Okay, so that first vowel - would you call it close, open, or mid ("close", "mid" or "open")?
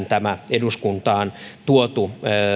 open